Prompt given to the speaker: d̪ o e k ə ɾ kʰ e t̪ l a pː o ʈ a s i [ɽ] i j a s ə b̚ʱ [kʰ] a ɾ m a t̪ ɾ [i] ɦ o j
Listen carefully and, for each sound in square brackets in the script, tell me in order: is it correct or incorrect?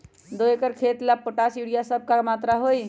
correct, incorrect: k, incorrect: a

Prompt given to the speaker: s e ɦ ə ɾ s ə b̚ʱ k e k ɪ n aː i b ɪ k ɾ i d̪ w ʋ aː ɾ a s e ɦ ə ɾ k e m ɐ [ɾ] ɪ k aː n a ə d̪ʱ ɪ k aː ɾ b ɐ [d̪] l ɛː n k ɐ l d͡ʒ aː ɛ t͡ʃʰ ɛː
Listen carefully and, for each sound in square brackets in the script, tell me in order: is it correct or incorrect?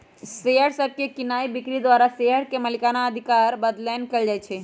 incorrect: l, correct

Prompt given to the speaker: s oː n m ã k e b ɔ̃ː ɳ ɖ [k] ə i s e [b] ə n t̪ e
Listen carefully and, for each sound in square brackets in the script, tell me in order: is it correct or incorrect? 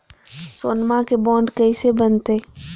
correct, correct

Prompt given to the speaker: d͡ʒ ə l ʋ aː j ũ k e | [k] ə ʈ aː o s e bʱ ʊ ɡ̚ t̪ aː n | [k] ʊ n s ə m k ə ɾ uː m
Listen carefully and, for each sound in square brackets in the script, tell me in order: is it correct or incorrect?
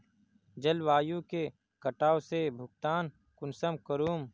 correct, correct

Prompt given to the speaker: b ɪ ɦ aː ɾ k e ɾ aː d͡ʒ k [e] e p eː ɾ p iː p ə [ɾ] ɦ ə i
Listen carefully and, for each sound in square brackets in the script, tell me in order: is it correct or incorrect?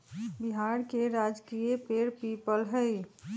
incorrect: i, incorrect: l

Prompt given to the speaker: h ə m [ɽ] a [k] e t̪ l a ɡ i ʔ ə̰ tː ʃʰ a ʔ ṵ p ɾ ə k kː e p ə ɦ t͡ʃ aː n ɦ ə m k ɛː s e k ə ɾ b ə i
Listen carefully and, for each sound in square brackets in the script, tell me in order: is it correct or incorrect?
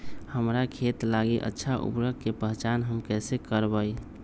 incorrect: ɾ, incorrect: kʰ

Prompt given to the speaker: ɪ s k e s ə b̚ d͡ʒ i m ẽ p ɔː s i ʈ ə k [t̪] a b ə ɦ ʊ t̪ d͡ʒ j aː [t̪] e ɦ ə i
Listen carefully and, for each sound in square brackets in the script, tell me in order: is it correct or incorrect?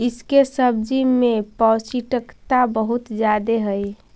correct, incorrect: d̪

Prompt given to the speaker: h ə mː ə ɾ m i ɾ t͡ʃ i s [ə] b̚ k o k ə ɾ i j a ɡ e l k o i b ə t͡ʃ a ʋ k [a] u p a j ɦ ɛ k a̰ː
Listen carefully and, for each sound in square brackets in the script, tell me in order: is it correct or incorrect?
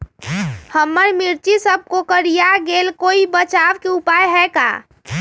correct, incorrect: e

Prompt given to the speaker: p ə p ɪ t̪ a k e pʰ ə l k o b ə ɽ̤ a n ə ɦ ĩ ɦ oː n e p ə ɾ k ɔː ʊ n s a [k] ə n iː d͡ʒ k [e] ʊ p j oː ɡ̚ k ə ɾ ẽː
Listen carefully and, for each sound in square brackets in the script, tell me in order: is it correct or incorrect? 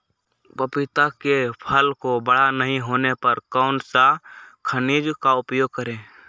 incorrect: kʰ, incorrect: a

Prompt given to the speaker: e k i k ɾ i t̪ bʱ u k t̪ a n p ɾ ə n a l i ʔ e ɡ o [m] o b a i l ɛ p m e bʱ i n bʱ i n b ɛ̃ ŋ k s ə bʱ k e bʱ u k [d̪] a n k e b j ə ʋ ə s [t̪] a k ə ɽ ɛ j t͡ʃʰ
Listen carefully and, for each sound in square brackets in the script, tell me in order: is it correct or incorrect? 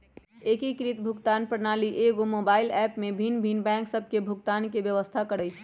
correct, incorrect: t̪, incorrect: t̪ʰ

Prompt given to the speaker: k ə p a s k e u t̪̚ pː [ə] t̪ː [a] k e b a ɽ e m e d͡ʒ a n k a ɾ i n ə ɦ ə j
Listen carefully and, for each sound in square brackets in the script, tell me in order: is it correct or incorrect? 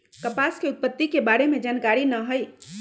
correct, incorrect: i

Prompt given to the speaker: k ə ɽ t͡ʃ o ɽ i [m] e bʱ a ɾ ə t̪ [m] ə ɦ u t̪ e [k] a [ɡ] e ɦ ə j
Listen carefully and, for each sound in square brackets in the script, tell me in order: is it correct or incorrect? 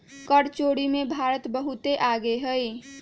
correct, incorrect: b, incorrect: ʔ, correct

